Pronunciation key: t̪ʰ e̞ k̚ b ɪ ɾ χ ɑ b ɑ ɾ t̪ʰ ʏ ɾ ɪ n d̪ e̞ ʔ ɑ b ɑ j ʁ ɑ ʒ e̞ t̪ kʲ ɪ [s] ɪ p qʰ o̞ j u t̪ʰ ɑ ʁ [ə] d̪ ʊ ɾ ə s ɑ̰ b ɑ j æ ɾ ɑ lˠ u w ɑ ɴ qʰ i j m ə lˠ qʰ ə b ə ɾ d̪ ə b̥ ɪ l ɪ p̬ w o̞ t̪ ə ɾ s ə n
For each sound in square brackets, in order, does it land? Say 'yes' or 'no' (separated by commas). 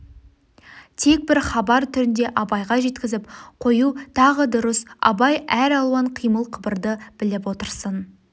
no, yes